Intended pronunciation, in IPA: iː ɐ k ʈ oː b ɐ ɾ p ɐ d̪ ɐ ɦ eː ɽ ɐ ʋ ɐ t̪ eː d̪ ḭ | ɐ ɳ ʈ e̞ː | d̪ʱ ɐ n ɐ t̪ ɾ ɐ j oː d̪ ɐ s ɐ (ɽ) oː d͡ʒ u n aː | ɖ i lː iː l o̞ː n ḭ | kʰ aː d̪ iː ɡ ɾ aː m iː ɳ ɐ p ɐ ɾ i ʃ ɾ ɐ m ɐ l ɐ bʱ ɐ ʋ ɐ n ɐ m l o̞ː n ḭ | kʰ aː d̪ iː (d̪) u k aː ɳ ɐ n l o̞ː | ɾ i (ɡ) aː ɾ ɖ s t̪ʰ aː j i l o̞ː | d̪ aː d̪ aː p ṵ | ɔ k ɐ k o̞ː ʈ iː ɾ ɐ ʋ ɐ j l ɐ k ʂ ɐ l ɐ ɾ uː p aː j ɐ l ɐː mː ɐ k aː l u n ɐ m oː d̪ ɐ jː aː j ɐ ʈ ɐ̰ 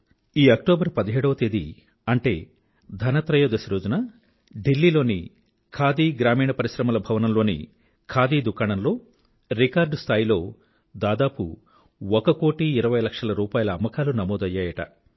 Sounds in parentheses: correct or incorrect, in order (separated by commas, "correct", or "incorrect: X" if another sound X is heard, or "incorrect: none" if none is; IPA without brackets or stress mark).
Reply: incorrect: ɾ, correct, incorrect: k